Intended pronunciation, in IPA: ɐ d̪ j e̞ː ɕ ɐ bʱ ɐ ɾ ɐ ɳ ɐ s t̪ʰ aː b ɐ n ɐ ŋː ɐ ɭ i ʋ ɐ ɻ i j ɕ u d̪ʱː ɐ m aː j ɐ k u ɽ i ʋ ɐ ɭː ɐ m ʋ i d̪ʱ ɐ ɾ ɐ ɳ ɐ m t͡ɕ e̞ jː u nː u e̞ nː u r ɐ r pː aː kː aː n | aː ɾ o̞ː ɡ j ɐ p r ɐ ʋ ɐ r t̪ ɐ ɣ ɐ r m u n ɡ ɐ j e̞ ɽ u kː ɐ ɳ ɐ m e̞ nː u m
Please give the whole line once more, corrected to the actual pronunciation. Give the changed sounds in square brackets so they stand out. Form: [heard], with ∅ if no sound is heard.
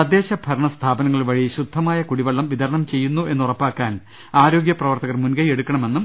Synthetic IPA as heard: ɐ d̪ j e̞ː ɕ ɐ bʱ ɐ ɾ ɐ ɳ ɐ s t̪ʰ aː b ɐ n ɐ ŋː ɐ ɭ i ʋ ɐ ɻ i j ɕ u d̪ʱː ɐ m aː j ɐ k u ɽ i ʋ ɐ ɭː ɐ m ʋ i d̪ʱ ɐ ɾ ɐ ɳ ɐ m t͡ɕ e̞ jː u nː u e̞ nː u r ɐ [∅] pː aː kː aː n | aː ɾ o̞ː ɡ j ɐ p r ɐ ʋ ɐ r t̪ ɐ ɣ ɐ r m u n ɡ ɐ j e̞ ɽ u kː ɐ ɳ ɐ m e̞ nː u m